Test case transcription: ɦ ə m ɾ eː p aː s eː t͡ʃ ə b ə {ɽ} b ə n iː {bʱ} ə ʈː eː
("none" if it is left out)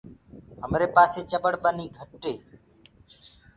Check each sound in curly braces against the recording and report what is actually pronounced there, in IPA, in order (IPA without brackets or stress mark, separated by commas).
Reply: ɽ, ɡʱ